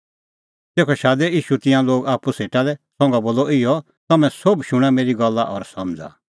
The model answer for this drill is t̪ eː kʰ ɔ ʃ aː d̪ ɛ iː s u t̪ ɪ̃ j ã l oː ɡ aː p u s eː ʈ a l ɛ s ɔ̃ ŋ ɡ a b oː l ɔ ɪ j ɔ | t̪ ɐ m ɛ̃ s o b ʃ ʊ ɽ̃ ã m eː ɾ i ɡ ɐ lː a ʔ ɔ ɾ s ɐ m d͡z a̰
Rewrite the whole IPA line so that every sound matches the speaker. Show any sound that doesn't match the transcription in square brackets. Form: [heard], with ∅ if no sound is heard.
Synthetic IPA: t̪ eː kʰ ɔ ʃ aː d̪ ɛ iː [ʃ] u t̪ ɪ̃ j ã l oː ɡ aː p u s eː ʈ a l ɛ s ɔ̃ ŋ ɡ a b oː l ɔ ɪ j ɔ | t̪ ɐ m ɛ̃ s o b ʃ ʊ ɽ̃ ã m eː ɾ i ɡ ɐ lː a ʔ ɔ ɾ s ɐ m d͡z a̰